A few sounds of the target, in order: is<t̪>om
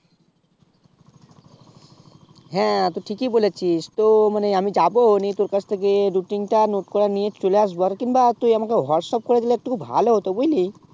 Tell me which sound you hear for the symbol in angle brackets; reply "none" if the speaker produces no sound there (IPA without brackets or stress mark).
t̪